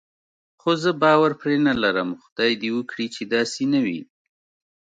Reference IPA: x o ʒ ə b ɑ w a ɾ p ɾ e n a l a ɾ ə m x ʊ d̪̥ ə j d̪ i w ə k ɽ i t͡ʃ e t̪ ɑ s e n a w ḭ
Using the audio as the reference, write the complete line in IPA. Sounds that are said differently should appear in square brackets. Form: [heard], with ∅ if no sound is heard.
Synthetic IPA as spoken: x o [z] ə b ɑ w a ɾ p ɾ e n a l a ɾ ə m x ʊ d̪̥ [ɑ] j d̪ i w ə k ɽ i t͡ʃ e [d̪] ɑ s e n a w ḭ